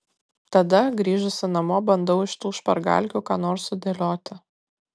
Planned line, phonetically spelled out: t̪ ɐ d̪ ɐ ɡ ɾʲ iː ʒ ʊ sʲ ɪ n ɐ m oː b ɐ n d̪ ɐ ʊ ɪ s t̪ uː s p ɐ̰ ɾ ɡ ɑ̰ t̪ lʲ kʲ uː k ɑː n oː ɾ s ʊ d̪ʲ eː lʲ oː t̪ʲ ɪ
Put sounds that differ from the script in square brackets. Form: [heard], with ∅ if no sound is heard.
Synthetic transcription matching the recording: t̪ ɐ d̪ ɐ ɡ ɾʲ iː ʒ ʊ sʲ ɪ n ɐ m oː b ɐ n d̪ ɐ ʊ ɪ [ʃ] t̪ uː [ʃ] p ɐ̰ ɾ ɡ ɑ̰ [∅] lʲ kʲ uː k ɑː n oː ɾ s ʊ d̪ʲ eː lʲ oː t̪ʲ ɪ